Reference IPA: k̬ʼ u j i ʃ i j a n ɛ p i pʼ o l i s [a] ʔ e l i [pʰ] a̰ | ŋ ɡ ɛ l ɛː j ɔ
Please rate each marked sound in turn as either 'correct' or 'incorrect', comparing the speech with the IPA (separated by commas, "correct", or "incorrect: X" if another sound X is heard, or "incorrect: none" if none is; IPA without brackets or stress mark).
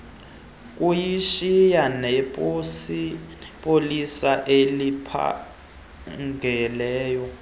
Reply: correct, correct